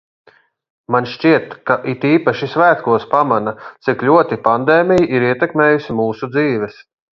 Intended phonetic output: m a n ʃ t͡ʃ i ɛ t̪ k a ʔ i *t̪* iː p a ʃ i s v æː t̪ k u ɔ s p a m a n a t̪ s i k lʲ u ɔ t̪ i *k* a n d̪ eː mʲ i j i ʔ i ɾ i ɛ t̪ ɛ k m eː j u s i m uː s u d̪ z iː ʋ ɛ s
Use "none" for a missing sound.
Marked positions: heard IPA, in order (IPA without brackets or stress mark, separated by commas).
t̪, p